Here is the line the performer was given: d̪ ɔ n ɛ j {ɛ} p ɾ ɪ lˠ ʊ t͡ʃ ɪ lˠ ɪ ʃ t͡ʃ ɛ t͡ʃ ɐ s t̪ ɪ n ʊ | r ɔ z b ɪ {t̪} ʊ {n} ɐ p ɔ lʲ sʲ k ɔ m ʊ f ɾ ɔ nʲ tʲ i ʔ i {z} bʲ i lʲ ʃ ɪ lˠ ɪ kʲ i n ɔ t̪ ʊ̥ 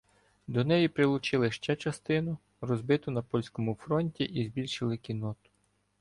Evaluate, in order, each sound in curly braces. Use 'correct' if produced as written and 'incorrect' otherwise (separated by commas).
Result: incorrect, correct, correct, correct